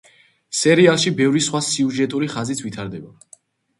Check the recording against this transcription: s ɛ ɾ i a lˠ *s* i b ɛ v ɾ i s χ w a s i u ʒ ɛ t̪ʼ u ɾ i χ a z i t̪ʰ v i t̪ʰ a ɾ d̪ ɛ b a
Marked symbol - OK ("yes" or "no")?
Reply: no